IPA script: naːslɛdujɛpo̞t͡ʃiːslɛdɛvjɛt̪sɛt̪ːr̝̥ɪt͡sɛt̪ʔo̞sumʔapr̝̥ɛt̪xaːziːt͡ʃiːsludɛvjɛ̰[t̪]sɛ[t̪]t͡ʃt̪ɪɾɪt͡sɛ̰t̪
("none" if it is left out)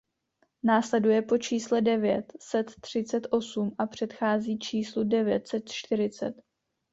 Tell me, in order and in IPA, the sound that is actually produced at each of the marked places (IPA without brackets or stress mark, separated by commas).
t̪, t̪